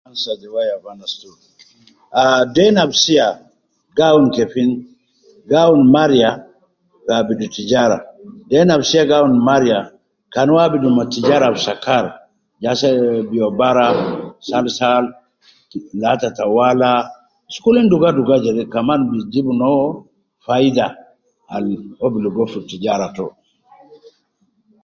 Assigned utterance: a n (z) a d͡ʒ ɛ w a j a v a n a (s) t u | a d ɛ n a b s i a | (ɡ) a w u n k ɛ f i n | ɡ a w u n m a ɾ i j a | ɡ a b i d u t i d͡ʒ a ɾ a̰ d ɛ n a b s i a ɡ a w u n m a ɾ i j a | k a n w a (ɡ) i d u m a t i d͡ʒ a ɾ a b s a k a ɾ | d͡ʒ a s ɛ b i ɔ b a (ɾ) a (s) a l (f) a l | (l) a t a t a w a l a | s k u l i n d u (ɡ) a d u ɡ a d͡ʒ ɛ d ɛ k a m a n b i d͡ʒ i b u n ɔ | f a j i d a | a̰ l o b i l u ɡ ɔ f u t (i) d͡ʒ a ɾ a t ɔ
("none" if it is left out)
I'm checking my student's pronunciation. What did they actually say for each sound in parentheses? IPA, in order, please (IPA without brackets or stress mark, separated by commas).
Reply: s, s, ɡ, b, ɾ, s, s, l, ɡ, i